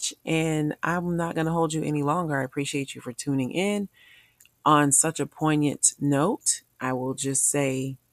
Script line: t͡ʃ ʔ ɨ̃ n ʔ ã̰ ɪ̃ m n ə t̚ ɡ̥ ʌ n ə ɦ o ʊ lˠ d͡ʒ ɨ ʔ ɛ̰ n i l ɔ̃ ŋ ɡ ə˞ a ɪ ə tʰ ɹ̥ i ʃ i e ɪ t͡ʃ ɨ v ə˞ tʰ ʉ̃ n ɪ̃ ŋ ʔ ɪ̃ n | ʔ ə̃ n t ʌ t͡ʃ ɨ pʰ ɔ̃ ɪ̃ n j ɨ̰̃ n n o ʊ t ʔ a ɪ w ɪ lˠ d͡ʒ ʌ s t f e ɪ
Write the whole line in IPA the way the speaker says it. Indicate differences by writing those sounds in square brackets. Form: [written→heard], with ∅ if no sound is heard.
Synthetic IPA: t͡ʃ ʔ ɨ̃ n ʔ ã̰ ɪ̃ m n ə t̚ ɡ̥ ʌ n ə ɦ o ʊ lˠ d͡ʒ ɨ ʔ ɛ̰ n i l ɔ̃ ŋ ɡ ə˞ a ɪ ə [tʰ→pʰ] ɹ̥ i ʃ i e ɪ t͡ʃ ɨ [v→f] ə˞ tʰ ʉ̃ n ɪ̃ ŋ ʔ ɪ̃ n | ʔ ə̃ n [t→s] ʌ t͡ʃ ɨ pʰ ɔ̃ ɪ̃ n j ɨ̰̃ n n o ʊ t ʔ a ɪ w ɪ lˠ d͡ʒ ʌ s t [f→s] e ɪ